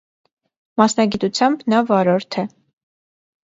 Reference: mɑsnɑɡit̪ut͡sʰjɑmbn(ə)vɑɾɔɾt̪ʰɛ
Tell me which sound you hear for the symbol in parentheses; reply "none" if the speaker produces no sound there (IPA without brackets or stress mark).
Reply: ɑ